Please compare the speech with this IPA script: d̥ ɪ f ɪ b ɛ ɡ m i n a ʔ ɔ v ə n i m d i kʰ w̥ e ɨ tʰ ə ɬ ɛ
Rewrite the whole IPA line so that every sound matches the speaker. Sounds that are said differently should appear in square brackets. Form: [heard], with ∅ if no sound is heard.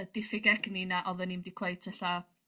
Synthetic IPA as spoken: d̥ ɪ f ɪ [ɡ] ɛ ɡ [n] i n a ʔ ɔ [ð] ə n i m d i kʰ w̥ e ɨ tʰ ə ɬ [a]